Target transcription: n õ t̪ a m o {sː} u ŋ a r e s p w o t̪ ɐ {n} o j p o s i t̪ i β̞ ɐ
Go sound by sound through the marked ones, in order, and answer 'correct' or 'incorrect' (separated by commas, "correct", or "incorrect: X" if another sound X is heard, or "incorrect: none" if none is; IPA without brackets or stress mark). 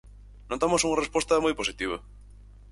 incorrect: s, incorrect: m